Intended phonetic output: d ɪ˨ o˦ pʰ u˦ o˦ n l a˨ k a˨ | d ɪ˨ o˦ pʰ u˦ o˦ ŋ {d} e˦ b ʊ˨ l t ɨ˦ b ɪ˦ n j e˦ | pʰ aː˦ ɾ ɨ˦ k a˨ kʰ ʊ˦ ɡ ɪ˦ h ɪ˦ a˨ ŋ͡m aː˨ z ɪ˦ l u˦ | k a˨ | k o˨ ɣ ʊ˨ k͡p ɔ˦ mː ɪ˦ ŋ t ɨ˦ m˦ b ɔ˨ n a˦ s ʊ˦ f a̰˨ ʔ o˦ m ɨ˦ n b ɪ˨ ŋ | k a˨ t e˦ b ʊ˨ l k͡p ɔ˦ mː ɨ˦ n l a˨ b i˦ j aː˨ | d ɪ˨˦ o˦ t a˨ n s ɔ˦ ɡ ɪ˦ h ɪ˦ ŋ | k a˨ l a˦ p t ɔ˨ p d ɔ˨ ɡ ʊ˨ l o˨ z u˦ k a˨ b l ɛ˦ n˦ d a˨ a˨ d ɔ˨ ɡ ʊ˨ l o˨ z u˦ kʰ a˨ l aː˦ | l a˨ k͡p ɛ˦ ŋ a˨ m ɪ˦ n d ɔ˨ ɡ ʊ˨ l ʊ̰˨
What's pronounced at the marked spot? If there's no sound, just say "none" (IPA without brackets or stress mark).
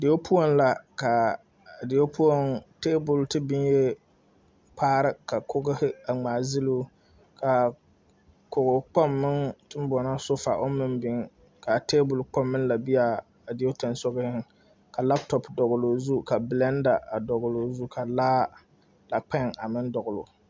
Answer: t